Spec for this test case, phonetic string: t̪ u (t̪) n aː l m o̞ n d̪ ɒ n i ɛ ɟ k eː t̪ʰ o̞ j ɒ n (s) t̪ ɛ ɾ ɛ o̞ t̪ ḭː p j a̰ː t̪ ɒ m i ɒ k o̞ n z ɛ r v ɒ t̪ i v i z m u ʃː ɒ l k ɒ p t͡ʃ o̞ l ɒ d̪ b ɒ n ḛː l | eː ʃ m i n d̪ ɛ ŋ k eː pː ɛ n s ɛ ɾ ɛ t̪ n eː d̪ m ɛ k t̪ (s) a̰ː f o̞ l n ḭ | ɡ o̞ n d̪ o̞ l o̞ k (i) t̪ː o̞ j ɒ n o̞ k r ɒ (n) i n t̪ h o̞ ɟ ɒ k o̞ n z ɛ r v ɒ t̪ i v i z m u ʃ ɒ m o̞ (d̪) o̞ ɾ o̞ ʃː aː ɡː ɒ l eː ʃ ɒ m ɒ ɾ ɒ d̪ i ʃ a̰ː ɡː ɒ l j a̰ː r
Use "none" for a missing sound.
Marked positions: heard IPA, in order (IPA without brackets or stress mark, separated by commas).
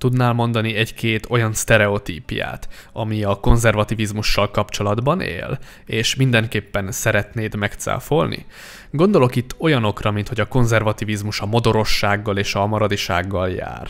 d̪, s, s, i, m, d̪